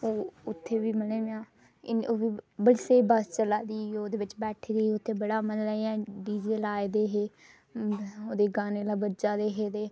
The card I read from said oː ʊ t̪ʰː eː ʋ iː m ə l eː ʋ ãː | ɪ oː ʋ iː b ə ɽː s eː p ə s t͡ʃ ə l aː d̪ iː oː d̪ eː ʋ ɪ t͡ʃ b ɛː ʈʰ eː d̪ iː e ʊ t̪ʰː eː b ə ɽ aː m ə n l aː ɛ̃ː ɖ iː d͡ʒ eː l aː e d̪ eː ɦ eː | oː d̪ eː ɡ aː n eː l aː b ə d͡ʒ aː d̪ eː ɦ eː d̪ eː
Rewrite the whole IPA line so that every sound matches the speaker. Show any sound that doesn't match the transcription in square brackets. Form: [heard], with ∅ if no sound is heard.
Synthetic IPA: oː ʊ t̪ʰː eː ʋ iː m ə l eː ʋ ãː | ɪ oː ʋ iː b ə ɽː s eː [b] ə s t͡ʃ ə l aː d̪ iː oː d̪ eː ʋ ɪ t͡ʃ b ɛː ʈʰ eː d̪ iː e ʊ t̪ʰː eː b ə ɽ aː m ə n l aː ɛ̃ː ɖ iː d͡ʒ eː l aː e d̪ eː ɦ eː | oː d̪ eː ɡ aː n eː l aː b ə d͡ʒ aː d̪ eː ɦ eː d̪ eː